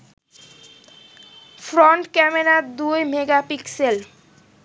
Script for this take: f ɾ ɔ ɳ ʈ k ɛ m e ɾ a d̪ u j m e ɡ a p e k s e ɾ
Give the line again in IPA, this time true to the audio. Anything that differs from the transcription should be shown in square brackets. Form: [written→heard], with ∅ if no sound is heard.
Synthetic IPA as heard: f ɾ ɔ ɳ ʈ k ɛ m e ɾ a d̪ u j m e ɡ a p [e→i] k s e [ɾ→l]